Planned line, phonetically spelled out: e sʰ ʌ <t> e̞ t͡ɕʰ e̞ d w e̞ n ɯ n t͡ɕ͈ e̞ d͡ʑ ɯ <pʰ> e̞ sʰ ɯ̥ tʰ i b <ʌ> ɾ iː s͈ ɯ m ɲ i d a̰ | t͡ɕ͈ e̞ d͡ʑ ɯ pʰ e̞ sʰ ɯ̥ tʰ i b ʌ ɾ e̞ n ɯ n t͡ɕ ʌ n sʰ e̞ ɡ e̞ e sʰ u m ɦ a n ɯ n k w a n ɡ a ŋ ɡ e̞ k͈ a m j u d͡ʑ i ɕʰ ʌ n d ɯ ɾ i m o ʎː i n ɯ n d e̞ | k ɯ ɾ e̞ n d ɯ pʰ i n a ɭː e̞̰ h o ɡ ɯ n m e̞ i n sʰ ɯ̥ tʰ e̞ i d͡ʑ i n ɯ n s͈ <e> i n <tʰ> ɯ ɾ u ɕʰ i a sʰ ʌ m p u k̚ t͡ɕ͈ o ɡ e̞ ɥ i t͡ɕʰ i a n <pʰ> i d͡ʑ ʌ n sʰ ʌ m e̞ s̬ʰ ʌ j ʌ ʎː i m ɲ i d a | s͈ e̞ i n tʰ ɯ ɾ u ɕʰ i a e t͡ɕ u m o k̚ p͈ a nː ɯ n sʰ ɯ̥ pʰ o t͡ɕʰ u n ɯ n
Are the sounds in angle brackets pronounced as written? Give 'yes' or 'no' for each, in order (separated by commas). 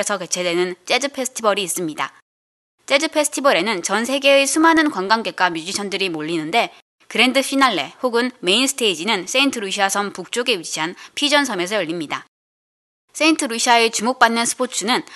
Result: no, yes, yes, yes, yes, yes